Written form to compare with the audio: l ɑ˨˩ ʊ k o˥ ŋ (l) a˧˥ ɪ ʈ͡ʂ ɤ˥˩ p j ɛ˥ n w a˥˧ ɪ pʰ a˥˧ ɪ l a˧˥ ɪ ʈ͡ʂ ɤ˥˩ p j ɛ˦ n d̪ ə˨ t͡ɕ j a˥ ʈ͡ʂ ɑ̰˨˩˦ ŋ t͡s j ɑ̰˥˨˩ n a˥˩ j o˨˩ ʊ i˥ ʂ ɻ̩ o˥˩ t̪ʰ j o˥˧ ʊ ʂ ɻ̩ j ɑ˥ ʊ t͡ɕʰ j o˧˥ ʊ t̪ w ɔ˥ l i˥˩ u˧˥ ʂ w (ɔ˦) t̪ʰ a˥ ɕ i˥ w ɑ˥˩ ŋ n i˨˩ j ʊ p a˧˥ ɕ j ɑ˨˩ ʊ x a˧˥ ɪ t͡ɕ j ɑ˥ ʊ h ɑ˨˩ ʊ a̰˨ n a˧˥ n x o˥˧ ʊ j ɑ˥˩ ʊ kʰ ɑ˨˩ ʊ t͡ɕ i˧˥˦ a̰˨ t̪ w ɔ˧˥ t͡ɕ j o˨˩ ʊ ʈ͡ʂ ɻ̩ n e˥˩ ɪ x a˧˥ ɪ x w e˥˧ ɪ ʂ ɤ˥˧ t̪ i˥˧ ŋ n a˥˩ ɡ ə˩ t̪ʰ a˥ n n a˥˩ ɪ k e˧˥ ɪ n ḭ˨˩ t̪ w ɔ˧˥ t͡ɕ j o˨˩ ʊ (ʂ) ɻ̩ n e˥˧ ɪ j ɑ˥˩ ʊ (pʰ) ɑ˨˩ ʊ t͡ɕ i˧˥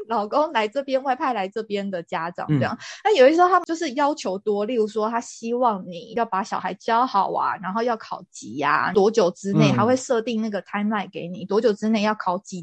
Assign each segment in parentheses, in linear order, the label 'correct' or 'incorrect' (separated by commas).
correct, correct, incorrect, incorrect